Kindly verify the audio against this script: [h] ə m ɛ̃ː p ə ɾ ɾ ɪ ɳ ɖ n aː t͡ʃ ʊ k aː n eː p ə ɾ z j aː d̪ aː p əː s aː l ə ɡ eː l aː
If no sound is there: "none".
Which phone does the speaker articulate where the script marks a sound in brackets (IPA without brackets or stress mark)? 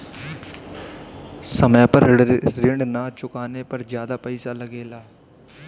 s